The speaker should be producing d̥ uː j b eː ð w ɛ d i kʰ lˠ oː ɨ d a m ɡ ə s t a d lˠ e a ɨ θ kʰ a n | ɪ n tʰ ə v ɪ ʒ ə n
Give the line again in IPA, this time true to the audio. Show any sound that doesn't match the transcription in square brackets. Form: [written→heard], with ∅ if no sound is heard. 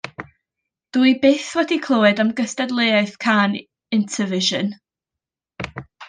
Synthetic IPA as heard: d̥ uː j b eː [ð→θ] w ɛ d i kʰ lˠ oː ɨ d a m ɡ ə s t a d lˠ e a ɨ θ kʰ a n | ɪ n tʰ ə v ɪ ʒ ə n

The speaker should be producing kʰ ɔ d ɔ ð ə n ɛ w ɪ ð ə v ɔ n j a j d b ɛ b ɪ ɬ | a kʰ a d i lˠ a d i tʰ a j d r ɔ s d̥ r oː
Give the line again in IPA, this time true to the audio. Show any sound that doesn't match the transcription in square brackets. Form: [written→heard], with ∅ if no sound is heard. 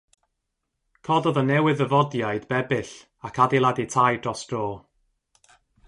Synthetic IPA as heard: kʰ ɔ d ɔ ð ə n ɛ w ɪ ð ə v ɔ [n→d] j a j d b ɛ b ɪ ɬ | a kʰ a d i lˠ a d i tʰ a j d r ɔ s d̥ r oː

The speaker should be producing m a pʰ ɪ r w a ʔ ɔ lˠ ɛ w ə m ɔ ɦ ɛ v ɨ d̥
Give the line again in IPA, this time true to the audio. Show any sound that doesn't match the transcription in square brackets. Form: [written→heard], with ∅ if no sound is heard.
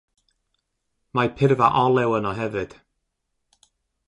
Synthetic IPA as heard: m a pʰ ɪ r [w→v] a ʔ ɔ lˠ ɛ w ə [m→n] ɔ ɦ ɛ v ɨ d̥

